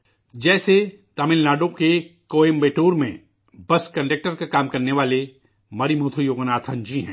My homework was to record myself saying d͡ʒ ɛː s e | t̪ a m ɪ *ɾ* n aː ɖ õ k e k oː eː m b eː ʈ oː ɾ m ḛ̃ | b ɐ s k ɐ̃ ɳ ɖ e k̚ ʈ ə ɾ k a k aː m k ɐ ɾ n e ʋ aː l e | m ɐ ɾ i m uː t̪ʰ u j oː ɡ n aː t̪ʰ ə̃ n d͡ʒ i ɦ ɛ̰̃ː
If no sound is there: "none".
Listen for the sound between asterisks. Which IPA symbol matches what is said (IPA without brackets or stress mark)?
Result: l